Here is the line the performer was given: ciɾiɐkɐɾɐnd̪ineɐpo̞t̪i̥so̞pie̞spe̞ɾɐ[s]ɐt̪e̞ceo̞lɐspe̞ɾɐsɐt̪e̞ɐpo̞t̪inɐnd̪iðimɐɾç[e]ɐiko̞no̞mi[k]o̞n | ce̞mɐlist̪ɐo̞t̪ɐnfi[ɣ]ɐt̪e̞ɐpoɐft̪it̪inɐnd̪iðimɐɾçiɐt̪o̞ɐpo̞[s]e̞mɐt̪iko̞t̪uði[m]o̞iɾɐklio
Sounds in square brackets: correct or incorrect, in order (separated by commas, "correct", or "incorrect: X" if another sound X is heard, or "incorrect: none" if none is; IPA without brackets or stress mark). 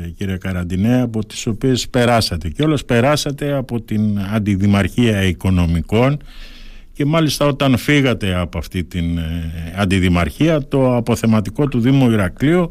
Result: correct, incorrect: i, correct, correct, incorrect: θ, correct